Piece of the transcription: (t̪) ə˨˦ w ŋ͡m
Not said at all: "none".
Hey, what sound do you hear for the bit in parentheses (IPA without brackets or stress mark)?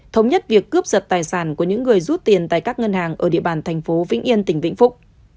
t̪ʰ